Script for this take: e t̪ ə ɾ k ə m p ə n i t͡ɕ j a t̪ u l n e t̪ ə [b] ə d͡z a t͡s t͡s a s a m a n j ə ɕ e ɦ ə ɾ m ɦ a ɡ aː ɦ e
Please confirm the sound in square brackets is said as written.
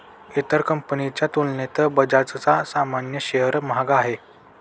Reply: yes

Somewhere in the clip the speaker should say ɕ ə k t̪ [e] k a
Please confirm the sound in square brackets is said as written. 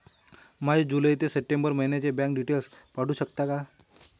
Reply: no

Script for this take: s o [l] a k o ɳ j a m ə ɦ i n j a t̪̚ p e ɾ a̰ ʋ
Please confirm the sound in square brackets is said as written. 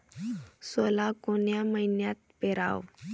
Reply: yes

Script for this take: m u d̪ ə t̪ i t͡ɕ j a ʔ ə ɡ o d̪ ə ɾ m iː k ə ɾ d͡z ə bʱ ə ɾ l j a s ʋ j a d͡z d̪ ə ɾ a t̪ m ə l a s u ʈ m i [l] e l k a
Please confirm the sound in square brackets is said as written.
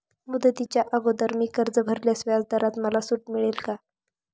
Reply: no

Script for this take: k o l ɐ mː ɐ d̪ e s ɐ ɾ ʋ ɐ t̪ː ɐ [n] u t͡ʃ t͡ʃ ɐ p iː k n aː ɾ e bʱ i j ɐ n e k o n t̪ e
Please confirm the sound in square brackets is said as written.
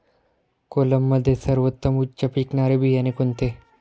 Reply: no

